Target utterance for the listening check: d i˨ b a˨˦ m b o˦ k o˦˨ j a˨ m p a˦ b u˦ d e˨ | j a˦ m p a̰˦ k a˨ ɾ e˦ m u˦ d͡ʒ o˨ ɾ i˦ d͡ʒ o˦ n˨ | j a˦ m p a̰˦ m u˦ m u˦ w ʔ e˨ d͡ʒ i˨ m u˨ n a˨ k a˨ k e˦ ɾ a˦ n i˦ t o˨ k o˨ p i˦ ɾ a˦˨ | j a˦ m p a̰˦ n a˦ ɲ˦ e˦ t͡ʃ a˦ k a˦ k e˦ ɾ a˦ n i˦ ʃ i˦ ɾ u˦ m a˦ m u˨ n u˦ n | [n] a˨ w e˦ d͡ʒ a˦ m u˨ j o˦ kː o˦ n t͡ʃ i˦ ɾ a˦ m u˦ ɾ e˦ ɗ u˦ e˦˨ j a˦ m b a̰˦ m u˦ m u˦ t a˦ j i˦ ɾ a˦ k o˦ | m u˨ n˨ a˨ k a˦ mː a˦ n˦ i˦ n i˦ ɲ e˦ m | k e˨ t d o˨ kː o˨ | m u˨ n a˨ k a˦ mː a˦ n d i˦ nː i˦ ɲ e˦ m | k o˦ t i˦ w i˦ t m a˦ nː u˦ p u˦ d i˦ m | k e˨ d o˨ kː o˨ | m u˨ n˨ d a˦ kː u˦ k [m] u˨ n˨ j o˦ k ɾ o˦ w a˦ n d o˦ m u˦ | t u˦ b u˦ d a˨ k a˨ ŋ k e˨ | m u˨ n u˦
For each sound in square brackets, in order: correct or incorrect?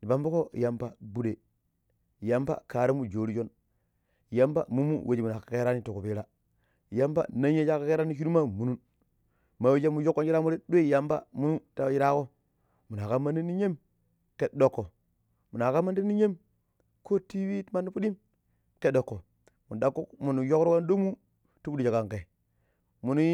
incorrect, correct

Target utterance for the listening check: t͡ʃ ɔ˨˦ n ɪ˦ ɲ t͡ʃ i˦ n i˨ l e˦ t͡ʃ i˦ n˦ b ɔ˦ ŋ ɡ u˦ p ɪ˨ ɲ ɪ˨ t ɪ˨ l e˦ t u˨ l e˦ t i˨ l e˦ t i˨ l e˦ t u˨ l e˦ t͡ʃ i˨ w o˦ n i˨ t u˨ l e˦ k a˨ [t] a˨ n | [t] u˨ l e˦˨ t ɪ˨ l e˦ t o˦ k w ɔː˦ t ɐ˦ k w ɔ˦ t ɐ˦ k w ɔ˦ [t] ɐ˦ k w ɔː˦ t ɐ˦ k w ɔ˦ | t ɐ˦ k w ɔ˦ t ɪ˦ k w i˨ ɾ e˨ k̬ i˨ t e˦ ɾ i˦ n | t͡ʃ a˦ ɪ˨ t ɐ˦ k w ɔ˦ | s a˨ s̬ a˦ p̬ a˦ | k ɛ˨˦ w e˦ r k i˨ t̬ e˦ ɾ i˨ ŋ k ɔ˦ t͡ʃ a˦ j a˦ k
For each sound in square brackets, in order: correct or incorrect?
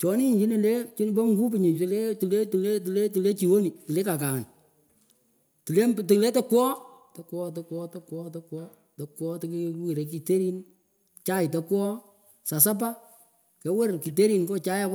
incorrect, correct, correct

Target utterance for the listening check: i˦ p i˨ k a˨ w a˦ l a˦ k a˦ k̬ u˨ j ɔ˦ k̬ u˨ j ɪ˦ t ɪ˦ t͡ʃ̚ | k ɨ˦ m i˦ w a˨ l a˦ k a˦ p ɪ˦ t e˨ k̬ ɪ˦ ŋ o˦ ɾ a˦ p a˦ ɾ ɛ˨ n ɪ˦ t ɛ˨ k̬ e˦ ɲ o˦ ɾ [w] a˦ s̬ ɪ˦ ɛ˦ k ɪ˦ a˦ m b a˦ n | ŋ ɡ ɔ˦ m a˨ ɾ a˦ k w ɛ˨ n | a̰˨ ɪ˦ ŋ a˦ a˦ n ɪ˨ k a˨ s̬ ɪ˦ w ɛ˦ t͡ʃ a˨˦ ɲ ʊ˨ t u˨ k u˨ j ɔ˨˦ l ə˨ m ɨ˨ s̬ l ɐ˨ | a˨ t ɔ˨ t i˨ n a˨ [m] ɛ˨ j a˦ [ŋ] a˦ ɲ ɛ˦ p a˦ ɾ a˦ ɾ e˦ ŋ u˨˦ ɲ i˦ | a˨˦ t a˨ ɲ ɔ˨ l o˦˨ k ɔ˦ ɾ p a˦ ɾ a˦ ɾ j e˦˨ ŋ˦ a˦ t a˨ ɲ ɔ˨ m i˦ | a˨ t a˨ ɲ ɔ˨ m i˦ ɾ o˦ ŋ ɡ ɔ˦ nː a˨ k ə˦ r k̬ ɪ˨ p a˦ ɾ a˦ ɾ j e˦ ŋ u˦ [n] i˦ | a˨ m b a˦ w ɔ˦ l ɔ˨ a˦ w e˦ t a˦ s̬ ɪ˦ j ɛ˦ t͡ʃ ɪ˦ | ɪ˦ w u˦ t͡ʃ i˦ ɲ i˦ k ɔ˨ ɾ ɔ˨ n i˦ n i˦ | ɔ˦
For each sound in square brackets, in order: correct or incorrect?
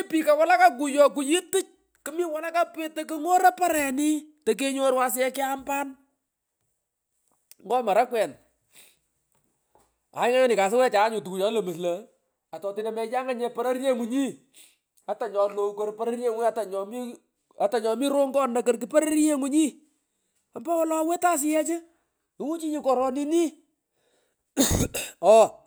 correct, correct, correct, incorrect

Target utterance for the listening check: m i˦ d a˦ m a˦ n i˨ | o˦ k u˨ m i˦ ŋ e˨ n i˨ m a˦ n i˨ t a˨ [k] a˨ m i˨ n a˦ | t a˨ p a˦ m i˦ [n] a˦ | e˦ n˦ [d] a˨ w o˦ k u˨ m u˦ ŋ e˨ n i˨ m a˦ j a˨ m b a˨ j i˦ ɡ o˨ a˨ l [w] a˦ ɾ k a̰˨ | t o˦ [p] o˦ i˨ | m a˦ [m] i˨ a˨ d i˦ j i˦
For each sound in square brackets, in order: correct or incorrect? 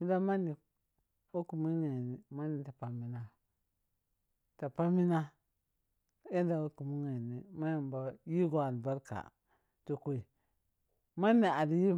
incorrect, correct, correct, incorrect, incorrect, incorrect

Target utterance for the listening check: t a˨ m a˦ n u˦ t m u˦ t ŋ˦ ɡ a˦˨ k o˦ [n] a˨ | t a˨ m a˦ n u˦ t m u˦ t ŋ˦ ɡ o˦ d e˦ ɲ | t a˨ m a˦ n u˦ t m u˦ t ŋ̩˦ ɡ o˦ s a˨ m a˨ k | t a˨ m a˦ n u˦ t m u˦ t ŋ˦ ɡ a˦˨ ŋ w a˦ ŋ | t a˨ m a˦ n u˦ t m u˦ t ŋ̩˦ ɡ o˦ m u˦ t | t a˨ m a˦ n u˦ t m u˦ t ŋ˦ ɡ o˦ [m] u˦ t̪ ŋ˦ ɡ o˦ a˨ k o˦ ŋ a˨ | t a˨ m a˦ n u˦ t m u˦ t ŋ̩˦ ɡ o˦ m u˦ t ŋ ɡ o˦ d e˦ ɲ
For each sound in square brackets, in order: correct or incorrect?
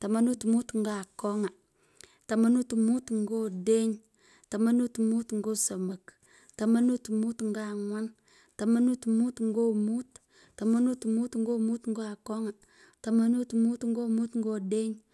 incorrect, correct

